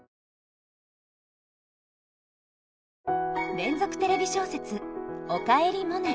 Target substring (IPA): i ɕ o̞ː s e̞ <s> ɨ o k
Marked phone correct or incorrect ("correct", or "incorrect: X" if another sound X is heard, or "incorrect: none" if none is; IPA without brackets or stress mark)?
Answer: incorrect: t͡s